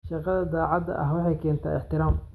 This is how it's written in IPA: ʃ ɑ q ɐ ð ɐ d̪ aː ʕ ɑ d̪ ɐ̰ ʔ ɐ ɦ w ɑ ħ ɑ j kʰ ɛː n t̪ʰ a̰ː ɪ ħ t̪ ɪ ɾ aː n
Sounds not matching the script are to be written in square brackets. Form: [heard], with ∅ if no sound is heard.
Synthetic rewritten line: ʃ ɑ q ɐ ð ɐ d̪ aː ʕ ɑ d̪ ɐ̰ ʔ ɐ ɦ w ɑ ħ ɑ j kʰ ɛː n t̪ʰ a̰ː ɪ ħ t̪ ɪ ɾ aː [m]